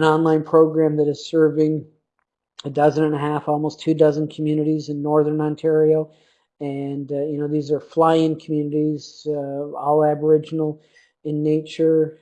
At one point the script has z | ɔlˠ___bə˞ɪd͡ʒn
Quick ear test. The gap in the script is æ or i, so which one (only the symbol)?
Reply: æ